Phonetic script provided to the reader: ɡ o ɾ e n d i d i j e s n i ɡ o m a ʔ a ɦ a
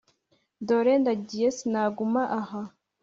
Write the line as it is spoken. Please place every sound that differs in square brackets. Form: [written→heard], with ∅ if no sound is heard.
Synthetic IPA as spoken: [ɡ→d] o ɾ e n d [i→a] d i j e s n [i→a] ɡ [o→u] m a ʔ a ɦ a